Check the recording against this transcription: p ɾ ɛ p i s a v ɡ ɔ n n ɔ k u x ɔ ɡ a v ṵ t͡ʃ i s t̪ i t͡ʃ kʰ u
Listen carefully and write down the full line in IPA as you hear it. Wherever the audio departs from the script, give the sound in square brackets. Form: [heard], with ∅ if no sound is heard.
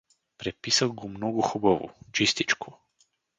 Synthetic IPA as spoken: p ɾ ɛ p i s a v ɡ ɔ [m] n ɔ [ɡ] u x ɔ [b] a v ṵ t͡ʃ i s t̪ i t͡ʃ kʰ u